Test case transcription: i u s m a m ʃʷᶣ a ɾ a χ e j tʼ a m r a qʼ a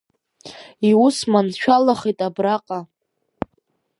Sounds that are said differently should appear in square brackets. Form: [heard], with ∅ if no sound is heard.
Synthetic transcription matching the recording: i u s m a [n] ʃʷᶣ a [l] a χ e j tʼ a [b] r a qʼ a